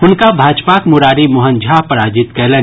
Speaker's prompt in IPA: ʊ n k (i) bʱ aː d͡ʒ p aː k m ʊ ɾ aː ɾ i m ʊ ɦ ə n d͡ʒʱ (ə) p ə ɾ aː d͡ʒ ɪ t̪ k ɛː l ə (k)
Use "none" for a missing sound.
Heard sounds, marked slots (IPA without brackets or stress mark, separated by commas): a, a, none